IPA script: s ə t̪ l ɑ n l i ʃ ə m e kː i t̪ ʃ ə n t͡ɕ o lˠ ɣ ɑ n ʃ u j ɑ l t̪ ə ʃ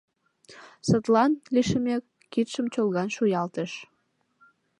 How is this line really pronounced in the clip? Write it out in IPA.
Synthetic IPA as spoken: s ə t̪ l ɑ n l i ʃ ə m e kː i t̪ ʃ ə m t͡ɕ o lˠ ɣ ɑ n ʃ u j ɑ l t̪ ə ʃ